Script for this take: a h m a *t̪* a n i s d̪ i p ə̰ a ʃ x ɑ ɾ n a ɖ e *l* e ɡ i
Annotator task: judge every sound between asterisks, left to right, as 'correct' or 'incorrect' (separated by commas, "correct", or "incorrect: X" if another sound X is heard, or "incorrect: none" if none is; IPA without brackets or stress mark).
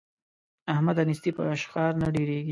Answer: incorrect: d̪, incorrect: ɾ